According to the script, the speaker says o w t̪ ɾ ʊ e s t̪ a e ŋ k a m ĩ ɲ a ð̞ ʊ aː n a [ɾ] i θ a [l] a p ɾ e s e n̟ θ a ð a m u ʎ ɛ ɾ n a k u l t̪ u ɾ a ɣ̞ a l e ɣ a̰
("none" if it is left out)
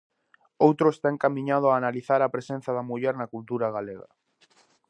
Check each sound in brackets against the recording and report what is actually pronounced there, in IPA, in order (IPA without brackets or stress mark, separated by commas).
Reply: l, ɾ